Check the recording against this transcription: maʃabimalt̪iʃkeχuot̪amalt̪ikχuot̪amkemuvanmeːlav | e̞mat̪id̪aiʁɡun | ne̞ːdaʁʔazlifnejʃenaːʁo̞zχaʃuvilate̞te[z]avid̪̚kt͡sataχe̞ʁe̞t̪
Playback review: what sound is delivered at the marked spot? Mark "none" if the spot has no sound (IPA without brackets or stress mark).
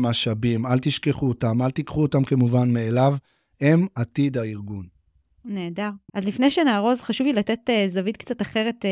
z